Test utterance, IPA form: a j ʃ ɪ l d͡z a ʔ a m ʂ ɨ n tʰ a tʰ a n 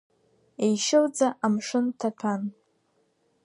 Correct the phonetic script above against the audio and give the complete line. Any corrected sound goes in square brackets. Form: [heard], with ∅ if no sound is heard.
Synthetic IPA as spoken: [e] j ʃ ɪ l d͡z a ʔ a m ʂ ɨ n tʰ a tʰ a n